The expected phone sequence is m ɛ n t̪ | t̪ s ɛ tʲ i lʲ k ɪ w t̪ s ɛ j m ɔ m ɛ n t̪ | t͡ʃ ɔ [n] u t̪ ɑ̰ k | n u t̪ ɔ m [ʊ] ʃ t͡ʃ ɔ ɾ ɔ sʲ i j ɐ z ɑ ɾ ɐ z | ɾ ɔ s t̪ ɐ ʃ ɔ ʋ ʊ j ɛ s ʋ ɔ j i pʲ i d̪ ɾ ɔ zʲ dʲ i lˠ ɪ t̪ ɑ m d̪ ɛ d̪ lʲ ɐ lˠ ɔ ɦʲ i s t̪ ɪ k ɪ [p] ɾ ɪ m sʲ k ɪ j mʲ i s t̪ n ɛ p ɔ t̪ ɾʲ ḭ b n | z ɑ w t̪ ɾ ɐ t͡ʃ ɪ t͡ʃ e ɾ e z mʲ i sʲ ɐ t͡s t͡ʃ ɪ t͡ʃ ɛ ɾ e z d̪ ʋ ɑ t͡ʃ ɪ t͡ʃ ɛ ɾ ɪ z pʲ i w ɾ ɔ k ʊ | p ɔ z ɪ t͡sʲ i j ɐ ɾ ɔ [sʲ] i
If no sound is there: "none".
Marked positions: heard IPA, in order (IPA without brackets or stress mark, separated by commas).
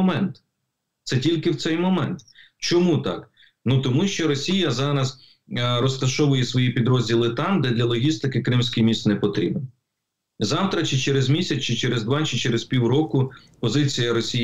m, u, k, sʲ